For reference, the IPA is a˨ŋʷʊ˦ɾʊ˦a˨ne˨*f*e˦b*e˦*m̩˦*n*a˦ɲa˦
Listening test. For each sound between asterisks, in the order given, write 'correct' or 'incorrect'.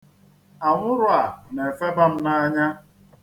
correct, incorrect, correct

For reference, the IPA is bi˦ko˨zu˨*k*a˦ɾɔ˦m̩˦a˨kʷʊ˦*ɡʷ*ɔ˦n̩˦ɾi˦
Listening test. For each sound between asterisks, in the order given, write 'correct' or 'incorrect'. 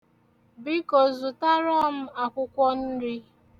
incorrect, incorrect

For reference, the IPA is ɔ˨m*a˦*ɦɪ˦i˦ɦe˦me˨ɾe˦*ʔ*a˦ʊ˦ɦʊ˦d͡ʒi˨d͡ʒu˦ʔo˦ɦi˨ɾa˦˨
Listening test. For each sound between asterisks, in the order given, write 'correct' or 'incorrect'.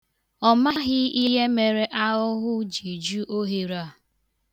correct, correct

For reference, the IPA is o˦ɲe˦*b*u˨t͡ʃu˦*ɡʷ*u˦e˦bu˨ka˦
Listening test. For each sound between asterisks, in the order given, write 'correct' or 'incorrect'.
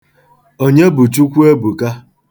correct, incorrect

